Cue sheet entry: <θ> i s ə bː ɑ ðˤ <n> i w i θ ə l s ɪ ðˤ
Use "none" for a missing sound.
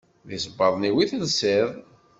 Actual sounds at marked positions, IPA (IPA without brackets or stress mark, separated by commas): ð, n